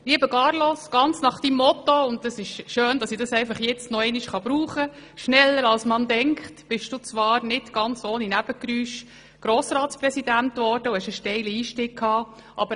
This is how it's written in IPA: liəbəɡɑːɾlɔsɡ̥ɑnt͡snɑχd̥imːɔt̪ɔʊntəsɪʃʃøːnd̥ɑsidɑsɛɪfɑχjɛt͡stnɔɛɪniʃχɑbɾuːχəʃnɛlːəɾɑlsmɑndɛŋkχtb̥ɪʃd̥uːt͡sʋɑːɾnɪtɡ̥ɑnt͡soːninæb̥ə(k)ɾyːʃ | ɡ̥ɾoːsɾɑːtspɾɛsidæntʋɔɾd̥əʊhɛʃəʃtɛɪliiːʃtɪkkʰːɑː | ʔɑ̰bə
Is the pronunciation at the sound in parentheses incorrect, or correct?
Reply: correct